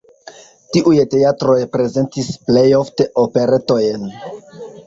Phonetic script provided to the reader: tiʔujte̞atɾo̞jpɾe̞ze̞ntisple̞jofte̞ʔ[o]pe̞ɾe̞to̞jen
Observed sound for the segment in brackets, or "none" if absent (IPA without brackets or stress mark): o